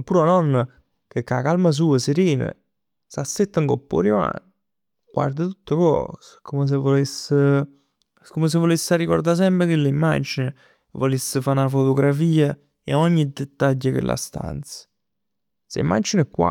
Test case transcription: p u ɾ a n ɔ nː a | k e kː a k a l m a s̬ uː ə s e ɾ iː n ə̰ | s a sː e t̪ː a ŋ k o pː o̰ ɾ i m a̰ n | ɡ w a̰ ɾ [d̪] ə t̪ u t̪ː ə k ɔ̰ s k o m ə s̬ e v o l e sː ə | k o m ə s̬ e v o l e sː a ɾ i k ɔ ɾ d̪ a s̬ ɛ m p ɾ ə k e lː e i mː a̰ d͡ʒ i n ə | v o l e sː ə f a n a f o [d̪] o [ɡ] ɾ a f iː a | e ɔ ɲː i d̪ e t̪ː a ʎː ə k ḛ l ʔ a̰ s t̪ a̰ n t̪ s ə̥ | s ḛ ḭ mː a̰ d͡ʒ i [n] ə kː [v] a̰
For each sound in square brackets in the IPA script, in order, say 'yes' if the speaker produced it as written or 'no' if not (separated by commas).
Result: yes, no, yes, yes, no